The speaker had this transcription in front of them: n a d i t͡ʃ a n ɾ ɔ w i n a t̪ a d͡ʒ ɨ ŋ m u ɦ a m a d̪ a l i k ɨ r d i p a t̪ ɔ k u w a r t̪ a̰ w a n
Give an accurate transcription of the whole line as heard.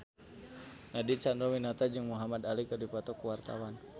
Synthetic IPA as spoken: n a d i t͡ʃ a n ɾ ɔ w i n a t̪ a d͡ʒ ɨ ŋ m u ɦ a m a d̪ a l i k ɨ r d i p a t̪ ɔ k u w a r t̪ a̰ w a n